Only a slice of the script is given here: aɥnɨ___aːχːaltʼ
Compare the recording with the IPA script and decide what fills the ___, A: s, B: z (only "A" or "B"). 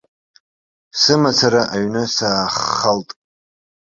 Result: A